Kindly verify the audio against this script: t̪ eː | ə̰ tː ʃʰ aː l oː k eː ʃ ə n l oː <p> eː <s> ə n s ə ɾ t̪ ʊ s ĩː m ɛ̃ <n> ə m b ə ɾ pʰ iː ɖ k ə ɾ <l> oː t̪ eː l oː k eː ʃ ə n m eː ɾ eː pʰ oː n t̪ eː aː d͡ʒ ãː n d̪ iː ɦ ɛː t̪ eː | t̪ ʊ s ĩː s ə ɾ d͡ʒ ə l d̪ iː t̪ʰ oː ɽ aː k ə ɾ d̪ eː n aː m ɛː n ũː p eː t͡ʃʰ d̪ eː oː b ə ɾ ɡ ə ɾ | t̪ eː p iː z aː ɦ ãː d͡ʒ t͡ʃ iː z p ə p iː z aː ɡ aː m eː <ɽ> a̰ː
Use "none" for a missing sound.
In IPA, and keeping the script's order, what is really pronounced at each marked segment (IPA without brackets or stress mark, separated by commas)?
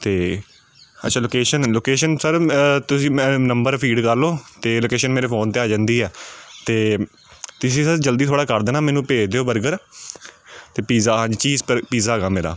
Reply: k, ʃ, n, l, ɾ